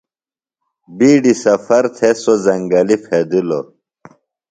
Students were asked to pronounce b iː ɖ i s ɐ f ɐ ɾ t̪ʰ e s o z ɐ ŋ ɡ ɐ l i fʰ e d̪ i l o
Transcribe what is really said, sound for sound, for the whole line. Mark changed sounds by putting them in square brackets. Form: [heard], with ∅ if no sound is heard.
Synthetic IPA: b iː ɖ i s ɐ f ɐ ɾ t̪ʰ e s o z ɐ ŋ ɡ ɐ l i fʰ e d̪ i l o